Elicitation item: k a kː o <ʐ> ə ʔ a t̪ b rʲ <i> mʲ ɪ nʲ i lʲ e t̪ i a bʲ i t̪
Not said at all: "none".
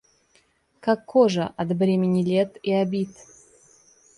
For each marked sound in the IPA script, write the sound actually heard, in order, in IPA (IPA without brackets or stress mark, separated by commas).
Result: ʐ, e